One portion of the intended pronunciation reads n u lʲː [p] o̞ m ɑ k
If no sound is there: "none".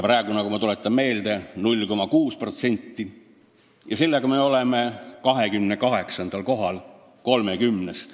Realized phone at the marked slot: k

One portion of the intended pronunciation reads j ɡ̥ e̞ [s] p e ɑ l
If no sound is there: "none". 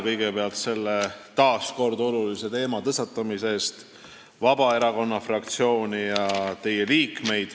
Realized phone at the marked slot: none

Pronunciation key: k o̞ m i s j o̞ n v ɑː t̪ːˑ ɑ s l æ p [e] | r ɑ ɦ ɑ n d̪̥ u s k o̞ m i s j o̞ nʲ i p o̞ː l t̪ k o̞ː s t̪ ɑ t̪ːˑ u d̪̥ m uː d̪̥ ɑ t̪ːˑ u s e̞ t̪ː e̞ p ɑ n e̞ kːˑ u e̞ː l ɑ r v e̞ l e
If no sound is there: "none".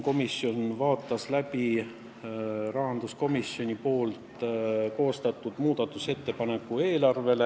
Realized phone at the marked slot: i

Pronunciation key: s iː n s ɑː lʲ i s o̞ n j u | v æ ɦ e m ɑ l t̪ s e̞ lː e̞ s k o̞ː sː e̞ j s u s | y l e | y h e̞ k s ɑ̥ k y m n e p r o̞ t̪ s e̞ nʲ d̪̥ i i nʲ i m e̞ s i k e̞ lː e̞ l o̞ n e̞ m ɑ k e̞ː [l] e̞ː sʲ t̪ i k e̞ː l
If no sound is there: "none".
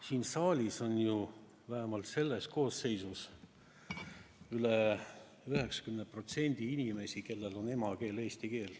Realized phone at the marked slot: l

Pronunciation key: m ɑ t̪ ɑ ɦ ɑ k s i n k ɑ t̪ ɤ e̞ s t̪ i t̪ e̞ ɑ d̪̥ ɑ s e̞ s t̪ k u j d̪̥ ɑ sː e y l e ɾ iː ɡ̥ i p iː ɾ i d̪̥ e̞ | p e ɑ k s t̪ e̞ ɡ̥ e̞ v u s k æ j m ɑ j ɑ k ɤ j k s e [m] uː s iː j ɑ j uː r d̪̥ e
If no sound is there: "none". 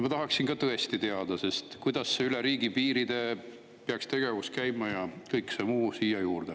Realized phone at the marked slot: m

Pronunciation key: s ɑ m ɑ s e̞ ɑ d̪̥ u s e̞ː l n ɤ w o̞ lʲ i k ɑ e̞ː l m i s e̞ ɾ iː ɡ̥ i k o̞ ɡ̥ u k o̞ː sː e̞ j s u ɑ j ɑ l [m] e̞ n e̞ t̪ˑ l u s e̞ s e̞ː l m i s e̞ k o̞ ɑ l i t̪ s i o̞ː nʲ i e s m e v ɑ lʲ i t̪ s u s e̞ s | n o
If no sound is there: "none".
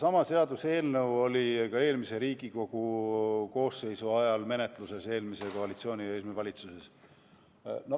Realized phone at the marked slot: m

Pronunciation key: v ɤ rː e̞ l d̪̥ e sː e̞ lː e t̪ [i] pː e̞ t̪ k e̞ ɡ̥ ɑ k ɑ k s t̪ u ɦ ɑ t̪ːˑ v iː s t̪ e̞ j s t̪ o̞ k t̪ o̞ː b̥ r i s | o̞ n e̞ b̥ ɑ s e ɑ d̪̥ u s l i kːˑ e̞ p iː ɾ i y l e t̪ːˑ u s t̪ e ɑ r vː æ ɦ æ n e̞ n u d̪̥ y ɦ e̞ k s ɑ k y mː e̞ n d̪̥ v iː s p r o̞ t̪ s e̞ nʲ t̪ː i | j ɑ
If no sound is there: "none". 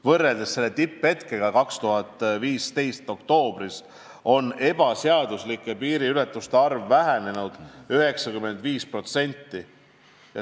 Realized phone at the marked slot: i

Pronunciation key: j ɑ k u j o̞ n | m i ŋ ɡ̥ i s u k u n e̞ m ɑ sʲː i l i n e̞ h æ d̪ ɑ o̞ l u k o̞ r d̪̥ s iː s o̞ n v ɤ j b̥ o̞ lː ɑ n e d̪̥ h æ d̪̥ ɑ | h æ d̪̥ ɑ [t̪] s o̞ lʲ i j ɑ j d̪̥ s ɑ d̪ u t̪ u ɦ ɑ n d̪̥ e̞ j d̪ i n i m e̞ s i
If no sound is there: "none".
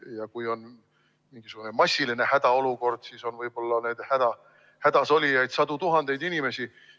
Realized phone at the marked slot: none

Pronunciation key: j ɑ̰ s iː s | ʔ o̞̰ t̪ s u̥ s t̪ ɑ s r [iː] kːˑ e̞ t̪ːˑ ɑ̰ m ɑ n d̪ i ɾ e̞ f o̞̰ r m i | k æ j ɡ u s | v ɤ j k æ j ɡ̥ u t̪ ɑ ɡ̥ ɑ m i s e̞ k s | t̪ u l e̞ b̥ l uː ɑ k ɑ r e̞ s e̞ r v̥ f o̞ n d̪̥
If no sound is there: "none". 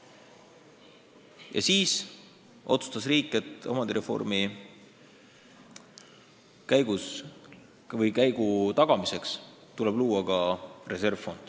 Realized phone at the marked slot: iː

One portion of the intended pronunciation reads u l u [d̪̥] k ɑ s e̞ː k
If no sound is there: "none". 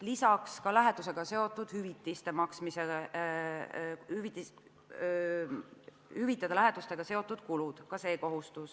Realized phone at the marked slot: d̪̥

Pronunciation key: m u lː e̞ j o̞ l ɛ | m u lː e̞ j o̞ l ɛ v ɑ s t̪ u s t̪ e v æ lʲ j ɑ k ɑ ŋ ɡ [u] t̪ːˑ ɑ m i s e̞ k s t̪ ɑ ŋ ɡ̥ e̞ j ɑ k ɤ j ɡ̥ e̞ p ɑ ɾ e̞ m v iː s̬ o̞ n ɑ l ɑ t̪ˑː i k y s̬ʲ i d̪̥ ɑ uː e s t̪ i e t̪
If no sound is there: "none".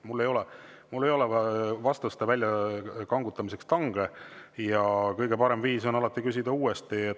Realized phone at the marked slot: u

